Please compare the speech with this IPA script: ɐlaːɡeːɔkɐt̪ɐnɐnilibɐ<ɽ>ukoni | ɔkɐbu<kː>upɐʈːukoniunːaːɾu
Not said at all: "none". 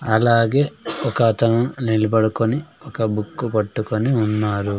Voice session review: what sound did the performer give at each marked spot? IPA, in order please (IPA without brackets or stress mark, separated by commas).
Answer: ɽ, kː